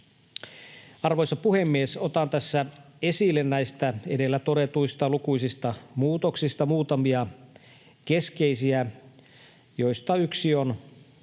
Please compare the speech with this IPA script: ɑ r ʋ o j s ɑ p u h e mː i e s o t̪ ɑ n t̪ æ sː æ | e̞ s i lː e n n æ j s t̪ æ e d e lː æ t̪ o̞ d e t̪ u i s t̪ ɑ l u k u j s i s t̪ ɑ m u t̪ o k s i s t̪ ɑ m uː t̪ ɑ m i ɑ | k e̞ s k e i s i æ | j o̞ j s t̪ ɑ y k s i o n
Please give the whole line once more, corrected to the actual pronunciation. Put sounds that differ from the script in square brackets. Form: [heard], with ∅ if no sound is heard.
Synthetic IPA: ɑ r ʋ o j s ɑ p u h e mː i e s o t̪ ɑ n t̪ æ sː æ | e̞ s i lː e n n æ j s t̪ æ e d e lː æ t̪ o̞ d e t̪ u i s t̪ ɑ l u k u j s i s t̪ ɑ m [uː] t̪ o k s i s t̪ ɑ m uː t̪ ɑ m i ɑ | k e̞ s k e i s i æ | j o̞ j s t̪ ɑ y k s i o n